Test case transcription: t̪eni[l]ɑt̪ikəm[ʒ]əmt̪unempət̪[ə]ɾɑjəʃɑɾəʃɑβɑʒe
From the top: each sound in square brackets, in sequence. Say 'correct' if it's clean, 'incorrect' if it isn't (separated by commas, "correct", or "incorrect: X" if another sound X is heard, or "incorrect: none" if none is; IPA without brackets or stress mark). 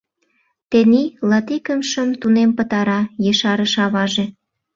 correct, incorrect: ʃ, incorrect: ɑ